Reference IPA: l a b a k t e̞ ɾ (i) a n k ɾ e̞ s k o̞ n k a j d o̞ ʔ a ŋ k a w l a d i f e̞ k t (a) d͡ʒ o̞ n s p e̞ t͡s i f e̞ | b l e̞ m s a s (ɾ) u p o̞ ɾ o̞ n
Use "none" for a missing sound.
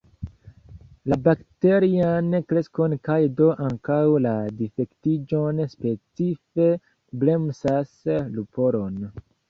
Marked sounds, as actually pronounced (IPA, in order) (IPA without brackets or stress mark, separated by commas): i, i, l